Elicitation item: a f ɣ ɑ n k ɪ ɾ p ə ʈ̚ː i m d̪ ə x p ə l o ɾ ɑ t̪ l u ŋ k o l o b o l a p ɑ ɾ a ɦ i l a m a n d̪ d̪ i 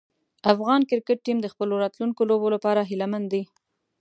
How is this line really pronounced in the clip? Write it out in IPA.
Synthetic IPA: a f ɣ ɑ n k ɪ ɾ k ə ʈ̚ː i m d̪ ə x p ə l o ɾ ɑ t̪ l u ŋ k o l o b o l a p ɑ ɾ a ɦ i l a m a n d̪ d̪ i

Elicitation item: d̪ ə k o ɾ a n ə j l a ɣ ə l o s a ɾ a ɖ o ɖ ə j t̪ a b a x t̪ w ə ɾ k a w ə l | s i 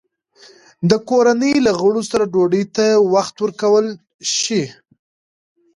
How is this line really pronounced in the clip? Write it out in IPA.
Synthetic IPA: d̪ ə k o ɾ a n ə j l a ɣ ə ɽ o s a ɾ a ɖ o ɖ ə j t̪ a w a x t̪ w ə ɾ k a w ə l | ʃ i

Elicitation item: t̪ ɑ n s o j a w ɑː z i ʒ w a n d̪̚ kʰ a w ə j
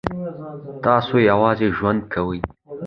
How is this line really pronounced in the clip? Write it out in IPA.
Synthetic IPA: t̪ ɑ s o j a w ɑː z e ʒ w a n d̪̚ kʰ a w ə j

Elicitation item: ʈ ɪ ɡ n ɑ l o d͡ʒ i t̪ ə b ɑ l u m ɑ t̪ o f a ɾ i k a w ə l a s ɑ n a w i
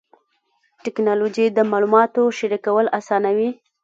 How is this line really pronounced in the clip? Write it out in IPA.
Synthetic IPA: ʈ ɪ k n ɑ l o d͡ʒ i d̪ ə m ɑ l u m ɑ t̪ o ʃ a ɾ i k a w ə l a s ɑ n a w i

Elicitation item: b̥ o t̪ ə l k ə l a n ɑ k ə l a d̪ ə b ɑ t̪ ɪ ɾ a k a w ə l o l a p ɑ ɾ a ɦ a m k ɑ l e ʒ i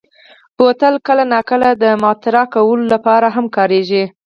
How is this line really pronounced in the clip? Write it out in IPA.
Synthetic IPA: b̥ o t̪ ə l k ə l a n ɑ k ə l a d̪ ə m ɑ t̪ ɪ ɾ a k a w ə l o l a p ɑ ɾ a ɦ a m k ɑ ɾ e ʒ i

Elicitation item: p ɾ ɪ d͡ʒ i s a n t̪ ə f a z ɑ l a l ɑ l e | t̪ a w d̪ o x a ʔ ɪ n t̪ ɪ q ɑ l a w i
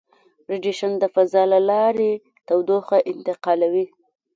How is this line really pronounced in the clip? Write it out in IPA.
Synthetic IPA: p ɾ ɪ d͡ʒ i ʃ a n d̪ ə f a z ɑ l a l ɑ ɾ e | t̪ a w d̪ o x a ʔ ɪ n t̪ ɪ q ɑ l a w i

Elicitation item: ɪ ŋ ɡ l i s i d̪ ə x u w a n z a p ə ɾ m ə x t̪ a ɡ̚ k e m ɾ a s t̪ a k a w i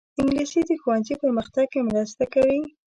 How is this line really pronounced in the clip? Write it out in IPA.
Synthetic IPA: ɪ ŋ ɡ l i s i d̪ ə x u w a n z i p ə ɾ m ə x t̪ a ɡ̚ k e m ɾ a s t̪ a k a w i

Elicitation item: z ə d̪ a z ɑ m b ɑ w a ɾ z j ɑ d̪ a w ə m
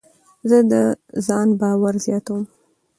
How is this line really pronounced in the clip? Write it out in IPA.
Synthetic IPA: z ə d̪ ə z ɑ n b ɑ w a ɾ z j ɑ t̪ a w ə m

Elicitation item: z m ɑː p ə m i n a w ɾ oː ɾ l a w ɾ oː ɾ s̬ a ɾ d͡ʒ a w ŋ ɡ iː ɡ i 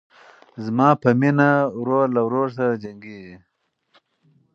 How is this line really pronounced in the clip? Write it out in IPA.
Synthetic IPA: z m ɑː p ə m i n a w ɾ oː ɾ l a w ɾ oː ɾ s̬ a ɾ d͡ʒ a ŋ ɡ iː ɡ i

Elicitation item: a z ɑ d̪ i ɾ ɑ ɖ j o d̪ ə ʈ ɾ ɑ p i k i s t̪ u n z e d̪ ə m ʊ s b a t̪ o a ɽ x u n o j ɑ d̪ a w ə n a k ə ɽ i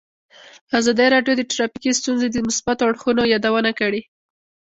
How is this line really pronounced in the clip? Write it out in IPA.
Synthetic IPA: a z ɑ d̪ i ɾ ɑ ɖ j o d̪ ə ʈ ɾ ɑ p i k i s t̪ u n z e d̪ ə m ʊ s b a t̪ o a ɽ x u n o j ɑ d̪ a w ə n a k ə ɽ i

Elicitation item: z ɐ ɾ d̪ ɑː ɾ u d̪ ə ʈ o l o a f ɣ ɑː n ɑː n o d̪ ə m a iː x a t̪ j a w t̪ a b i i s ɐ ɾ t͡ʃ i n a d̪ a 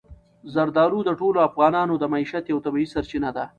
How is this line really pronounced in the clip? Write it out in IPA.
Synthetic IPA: z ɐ ɾ d̪ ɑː ɾ u d̪ ə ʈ o l o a f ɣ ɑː n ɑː n o d̪ ə m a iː ʃ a t̪ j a w t̪ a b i i s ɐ ɾ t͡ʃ i n a d̪ a

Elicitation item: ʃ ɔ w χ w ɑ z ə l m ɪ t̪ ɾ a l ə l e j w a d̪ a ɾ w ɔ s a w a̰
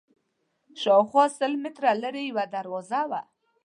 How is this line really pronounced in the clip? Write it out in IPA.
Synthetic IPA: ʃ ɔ w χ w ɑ s ə l m ɪ t̪ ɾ a l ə ɾ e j w a d̪ a ɾ w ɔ z a w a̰

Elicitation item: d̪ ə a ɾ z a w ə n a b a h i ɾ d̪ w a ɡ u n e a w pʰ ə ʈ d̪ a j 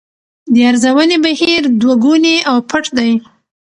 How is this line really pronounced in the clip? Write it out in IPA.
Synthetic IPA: d̪ ə a ɾ z a w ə n e b a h i ɾ d̪ w a ɡ u n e a w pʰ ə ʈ d̪ a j

